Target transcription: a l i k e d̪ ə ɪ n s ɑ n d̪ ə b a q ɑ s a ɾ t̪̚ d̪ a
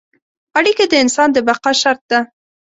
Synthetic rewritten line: a ɽ i k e d̪ ə ɪ n s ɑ n d̪ ə b a q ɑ ʃ a ɾ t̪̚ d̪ a

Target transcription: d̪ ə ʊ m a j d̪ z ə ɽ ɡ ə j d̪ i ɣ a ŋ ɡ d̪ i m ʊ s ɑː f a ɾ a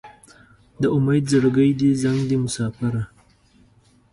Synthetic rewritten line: d̪ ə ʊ m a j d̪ z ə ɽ ɡ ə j d̪ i z a ŋ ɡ d̪ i m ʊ s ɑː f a ɾ a

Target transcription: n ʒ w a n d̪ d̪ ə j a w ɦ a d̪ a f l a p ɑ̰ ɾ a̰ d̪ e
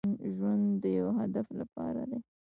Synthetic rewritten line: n ʒ w a n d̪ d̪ ə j a w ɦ a d̪ a f l a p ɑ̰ ɾ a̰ d̪ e

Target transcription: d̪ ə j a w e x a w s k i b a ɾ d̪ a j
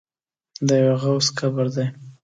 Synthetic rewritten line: d̪ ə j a w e ɣ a w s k a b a ɾ d̪ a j

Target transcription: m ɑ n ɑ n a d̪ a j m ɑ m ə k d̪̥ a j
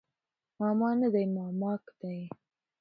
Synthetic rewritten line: m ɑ m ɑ n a d̪ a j m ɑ m ɑ k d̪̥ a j

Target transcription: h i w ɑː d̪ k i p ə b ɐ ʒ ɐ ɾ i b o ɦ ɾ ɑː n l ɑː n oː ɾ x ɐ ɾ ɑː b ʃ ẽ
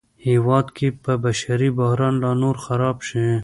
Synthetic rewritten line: h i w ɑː d̪ k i p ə b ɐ ʃ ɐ ɾ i b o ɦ ɾ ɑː n l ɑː n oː ɾ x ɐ ɾ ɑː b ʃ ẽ

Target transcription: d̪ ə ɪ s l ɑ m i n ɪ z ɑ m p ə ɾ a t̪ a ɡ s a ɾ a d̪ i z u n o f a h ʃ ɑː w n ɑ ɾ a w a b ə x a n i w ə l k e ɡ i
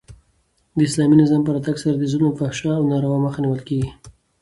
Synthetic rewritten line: d̪ ə ɪ s l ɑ m i n ɪ z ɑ m p ə ɾ a t̪ a ɡ s a ɾ a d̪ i z u n o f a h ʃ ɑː w n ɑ ɾ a w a m ə x a n i w ə l k e ɡ i

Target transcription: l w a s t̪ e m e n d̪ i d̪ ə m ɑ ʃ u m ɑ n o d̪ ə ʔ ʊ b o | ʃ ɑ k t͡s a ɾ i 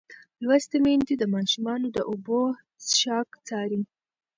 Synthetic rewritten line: l w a s t̪ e m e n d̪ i d̪ ə m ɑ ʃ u m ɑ n o d̪ ə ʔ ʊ b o | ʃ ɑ k t͡s ɑ ɾ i

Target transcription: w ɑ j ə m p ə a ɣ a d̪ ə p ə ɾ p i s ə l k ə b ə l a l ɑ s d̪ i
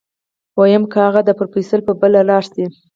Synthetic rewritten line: w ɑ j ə m k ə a ɣ a d̪ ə p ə ɾ p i s ə l p ə b ə l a l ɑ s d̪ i

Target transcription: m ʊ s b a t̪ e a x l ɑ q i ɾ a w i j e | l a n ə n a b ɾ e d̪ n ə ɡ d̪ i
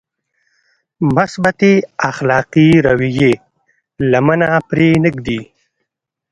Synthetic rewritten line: m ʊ s b a t̪ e a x l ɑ q i ɾ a w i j e | l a m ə n a p ɾ e n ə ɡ d̪ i

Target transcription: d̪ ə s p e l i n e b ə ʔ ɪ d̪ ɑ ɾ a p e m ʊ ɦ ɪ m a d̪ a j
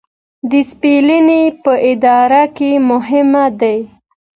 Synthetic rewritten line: d̪ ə s p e l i n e p ə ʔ ɪ d̪ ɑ ɾ a k e m ʊ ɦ ɪ m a d̪ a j

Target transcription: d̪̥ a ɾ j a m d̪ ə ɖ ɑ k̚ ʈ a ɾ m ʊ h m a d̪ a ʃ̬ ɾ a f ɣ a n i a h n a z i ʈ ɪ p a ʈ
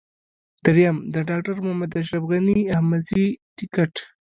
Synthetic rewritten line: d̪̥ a ɾ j a m d̪ ə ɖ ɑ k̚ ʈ a ɾ m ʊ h m a d̪ a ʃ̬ ɾ a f ɣ a n i a h m a z i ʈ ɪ k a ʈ

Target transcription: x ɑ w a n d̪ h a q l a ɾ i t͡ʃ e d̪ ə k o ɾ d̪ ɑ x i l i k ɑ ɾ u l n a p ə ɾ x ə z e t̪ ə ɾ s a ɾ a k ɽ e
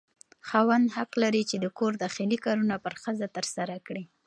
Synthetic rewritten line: x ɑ w a n d̪ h a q l a ɾ i t͡ʃ e d̪ ə k o ɾ d̪ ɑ x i l i k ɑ ɾ u n a p ə ɾ x ə z a t̪ ə ɾ s a ɾ a k ɽ i

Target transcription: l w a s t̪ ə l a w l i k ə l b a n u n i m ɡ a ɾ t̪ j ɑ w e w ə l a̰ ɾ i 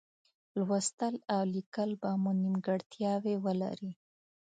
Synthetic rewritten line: l w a s t̪ ə l a w l i k ə l b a m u n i m ɡ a ɽ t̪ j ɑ w e w ə l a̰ ɾ i

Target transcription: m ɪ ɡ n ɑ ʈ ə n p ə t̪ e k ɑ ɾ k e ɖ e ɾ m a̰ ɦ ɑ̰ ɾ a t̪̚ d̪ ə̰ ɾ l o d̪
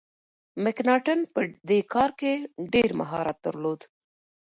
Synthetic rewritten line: m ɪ k n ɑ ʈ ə n p ə d̪ e k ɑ ɾ k e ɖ e ɾ m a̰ ɦ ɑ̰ ɾ a t̪̚ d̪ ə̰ ɾ l o d̪

